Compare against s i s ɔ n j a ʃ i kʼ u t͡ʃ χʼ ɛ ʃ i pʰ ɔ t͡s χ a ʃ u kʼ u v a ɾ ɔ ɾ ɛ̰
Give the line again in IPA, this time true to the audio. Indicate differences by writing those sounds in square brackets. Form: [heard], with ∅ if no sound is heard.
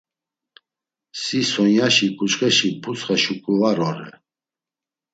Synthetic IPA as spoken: s i s ɔ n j a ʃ i kʼ u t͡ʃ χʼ ɛ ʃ i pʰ [u] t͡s χ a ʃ u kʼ u v a ɾ ɔ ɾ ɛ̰